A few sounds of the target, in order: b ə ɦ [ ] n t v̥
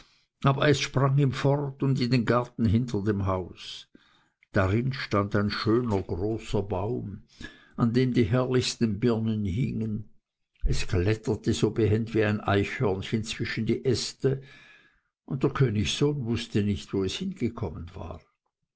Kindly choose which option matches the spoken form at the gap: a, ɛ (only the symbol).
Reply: ɛ